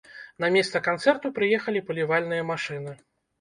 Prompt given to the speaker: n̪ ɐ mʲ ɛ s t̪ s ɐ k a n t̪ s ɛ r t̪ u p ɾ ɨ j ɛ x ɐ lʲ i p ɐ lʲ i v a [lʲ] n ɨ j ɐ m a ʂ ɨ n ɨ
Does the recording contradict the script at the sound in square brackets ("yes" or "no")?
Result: no